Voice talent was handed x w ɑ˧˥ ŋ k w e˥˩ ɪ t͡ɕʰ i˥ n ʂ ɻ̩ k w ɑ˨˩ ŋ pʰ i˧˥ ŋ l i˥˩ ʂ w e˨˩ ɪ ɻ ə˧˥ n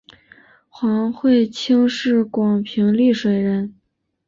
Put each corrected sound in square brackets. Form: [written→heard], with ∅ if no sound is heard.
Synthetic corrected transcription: x w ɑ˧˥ ŋ [k→x] w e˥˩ ɪ t͡ɕʰ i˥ [n→ŋ] ʂ ɻ̩ k w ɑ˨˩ ŋ pʰ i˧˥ ŋ l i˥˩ ʂ w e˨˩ ɪ ɻ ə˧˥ n